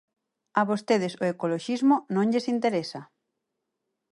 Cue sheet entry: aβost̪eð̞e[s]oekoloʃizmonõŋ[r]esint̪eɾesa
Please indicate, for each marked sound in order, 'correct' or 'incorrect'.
correct, incorrect: ʎ

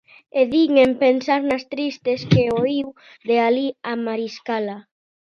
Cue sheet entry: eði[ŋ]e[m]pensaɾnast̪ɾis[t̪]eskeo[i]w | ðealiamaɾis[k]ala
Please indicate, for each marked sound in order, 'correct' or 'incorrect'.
correct, correct, correct, correct, correct

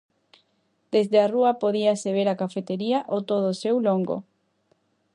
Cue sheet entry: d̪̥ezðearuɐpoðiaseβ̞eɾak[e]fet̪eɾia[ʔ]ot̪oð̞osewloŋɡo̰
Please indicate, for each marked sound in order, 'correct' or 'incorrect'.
incorrect: a, correct

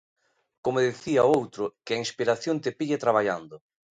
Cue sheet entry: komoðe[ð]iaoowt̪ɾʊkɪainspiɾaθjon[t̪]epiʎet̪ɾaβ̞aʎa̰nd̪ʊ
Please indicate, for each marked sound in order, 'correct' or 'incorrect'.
incorrect: θ, correct

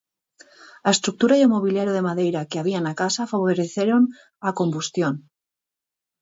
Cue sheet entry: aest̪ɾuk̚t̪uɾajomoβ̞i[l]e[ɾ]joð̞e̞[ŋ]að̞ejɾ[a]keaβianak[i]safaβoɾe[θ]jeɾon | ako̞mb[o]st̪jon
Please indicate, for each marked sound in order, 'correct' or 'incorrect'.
correct, correct, incorrect: m, correct, incorrect: a, correct, incorrect: u

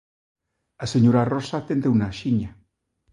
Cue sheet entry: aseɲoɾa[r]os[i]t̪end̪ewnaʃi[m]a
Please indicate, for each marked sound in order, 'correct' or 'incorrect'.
correct, incorrect: a, incorrect: ɲ

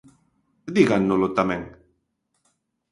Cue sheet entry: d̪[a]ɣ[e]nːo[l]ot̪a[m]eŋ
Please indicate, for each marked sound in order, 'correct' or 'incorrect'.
incorrect: i, incorrect: a, correct, correct

